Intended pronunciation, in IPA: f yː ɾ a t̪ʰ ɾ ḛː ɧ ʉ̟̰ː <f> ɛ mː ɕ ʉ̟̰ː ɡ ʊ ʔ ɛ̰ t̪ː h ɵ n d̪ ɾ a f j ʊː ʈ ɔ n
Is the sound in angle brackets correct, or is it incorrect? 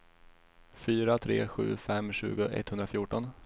correct